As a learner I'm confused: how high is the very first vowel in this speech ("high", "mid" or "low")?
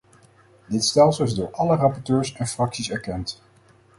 high